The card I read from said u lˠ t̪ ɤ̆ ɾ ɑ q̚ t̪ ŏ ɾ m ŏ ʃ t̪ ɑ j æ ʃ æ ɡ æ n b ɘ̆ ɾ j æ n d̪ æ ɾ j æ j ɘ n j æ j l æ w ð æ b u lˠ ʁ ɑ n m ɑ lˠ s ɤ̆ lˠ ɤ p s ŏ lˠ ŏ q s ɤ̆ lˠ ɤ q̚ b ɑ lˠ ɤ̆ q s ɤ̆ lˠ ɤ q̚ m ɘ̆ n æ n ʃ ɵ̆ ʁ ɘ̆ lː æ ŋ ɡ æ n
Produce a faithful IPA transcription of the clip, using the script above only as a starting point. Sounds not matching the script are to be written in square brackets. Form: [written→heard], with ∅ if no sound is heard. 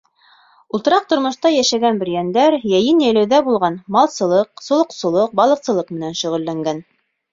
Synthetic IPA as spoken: u lˠ t̪ ɤ̆ ɾ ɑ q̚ t̪ ŏ ɾ m ŏ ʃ t̪ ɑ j æ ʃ æ ɡ æ n b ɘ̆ ɾ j æ n d̪ æ ɾ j æ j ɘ n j æ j l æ w ð æ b u lˠ ʁ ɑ n m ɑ lˠ s ɤ̆ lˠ ɤ [p→q] s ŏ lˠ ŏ q s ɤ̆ lˠ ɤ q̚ b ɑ lˠ ɤ̆ q s ɤ̆ lˠ ɤ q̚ m ɘ̆ n æ n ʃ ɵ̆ ʁ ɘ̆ lː æ ŋ ɡ æ n